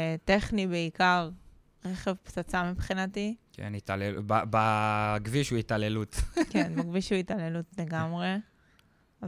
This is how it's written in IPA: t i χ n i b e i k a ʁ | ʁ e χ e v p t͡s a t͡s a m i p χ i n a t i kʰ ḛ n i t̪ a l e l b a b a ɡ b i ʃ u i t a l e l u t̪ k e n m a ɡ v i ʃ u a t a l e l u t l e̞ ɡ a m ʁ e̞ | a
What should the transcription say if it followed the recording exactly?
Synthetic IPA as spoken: t e χ n i b e i k a ʁ | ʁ e χ e v p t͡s a t͡s a m i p χ i n a t i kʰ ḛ n i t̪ a l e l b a b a ɡ v i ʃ u i t a l e l u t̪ k e n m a ɡ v i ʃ u i t a l e l u t l e̞ ɡ a m ʁ e̞ | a